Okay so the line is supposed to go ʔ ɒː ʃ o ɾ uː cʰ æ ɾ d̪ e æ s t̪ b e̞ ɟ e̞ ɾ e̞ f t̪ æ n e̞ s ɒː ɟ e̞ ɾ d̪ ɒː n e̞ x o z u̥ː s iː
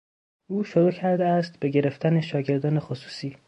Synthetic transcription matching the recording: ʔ uː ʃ o ɾ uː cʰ æ ɾ d̪ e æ s t̪ b e̞ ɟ e̞ ɾ e̞ f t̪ æ n e̞ ʃ ɒː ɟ e̞ ɾ d̪ ɒː n e̞ x o s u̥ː s iː